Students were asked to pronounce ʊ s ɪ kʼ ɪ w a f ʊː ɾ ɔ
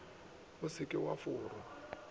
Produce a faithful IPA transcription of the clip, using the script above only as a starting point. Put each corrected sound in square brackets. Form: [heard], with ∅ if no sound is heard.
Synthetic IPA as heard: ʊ s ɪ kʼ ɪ w a f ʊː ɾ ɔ